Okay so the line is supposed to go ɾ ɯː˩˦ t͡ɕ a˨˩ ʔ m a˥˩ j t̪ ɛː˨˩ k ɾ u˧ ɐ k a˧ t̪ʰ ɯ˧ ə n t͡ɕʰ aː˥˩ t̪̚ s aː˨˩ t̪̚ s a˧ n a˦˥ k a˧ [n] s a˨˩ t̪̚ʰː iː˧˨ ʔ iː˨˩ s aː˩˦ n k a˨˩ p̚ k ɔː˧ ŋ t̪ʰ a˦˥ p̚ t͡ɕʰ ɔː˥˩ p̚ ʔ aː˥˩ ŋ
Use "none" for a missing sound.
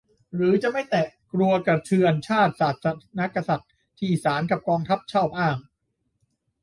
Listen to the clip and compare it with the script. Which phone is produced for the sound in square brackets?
none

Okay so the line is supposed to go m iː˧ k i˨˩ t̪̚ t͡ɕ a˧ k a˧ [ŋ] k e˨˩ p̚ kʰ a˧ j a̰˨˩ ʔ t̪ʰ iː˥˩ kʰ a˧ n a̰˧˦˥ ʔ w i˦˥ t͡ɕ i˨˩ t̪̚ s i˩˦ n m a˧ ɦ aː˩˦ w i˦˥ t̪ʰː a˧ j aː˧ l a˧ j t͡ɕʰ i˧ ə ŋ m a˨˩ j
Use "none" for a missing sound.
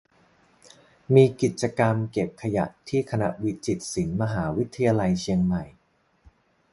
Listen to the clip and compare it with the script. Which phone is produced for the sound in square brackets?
m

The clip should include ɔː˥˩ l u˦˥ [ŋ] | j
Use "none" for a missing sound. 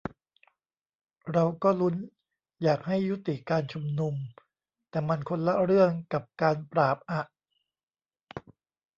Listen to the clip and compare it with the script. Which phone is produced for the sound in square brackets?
n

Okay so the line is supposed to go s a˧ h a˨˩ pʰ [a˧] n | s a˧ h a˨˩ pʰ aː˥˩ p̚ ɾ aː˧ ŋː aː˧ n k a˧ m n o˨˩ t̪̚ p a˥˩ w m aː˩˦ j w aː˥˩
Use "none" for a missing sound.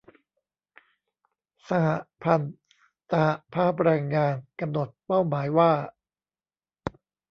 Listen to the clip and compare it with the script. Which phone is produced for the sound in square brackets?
a˧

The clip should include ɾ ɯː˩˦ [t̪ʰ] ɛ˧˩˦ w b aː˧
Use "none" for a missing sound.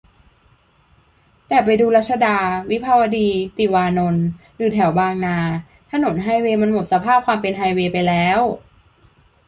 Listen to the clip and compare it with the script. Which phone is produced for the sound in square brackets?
t̪ʰ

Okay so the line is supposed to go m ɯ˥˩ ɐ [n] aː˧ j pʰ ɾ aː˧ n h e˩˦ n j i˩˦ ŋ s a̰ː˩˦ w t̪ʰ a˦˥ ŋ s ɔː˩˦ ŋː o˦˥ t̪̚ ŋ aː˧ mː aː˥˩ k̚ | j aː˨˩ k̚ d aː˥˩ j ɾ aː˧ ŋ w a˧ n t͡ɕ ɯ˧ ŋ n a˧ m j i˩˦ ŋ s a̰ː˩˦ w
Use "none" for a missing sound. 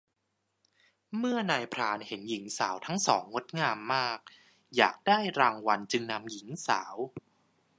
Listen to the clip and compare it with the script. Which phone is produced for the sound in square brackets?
n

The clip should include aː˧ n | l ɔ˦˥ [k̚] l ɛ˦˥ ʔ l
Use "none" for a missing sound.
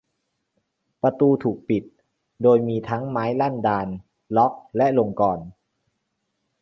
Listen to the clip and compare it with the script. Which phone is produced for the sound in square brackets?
k̚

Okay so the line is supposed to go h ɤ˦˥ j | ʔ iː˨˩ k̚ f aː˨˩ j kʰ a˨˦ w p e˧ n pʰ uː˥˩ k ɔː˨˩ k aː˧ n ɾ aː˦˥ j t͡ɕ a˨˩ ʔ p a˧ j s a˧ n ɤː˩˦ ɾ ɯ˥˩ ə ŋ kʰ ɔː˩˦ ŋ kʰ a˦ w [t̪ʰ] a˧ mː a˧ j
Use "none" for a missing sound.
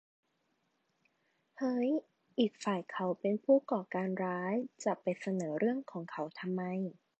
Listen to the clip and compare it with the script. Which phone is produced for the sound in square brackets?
t̪ʰ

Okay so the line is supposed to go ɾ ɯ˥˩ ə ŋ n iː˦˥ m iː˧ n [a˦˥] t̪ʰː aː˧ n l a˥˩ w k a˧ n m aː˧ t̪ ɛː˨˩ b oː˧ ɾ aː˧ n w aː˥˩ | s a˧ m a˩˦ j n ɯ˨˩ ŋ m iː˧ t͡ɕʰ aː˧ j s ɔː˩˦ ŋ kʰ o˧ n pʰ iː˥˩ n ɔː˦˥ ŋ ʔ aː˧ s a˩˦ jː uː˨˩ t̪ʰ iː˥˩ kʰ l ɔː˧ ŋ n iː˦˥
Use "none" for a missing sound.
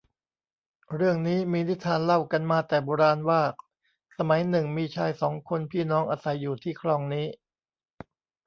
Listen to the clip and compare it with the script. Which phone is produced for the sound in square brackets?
i˦˥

